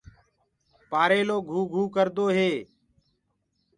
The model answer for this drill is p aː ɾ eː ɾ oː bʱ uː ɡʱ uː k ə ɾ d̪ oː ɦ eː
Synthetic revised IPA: p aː ɾ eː l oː ɡʱ uː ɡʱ uː k ə ɾ d̪ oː ɦ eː